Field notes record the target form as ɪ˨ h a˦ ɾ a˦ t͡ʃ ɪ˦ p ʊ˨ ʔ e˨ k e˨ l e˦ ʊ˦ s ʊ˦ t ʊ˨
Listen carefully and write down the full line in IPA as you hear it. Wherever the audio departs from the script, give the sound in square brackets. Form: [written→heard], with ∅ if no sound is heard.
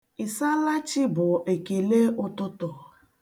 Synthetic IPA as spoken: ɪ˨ [h→s] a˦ [ɾ→l] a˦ t͡ʃ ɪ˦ [p→b] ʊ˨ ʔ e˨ k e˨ l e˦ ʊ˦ [s→t] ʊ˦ t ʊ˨